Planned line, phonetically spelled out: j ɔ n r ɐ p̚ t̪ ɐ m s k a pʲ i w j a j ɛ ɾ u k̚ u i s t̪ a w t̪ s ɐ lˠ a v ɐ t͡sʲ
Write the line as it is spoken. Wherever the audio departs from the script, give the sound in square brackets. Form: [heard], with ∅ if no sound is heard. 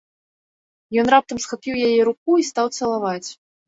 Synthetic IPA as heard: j ɔ n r [a] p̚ t̪ ɐ m s [x] a pʲ i w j a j ɛ ɾ u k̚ u i s t̪ a w t̪ s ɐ lˠ a v [a] t͡sʲ